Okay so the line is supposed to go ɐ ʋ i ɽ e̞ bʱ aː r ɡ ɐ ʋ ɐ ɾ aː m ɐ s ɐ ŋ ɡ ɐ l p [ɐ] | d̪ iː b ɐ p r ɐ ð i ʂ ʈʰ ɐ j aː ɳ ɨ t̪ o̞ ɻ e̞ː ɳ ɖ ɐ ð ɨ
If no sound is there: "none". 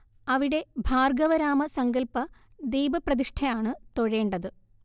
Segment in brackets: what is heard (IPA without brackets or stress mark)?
ɐ